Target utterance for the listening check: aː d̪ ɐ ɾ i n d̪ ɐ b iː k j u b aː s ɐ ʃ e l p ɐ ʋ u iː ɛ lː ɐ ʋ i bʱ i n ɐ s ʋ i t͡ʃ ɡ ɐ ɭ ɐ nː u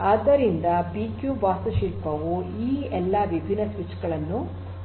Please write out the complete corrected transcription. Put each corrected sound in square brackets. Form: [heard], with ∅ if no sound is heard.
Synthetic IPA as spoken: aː d̪ ɐ ɾ i n d̪ ɐ b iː k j u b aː s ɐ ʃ [i] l p ɐ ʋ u iː ɛ lː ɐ ʋ i bʱ i n ɐ s ʋ i t͡ʃ ɡ ɐ ɭ ɐ nː u